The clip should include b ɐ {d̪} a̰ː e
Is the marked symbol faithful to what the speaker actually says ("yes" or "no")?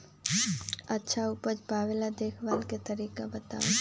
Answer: no